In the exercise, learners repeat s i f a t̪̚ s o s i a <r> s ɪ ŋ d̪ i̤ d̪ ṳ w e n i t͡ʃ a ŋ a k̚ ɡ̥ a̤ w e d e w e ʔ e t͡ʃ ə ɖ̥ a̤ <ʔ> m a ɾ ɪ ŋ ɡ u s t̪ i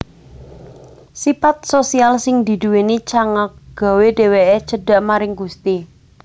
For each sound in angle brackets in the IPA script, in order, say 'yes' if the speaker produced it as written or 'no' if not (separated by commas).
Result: no, yes